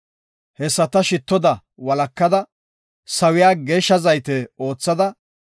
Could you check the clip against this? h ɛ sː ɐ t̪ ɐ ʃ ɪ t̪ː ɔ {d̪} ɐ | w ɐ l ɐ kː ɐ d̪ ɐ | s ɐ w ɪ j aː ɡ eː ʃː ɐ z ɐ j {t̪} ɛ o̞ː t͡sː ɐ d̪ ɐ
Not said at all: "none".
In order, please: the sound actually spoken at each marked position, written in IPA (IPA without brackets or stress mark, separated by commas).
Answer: d̪, t̪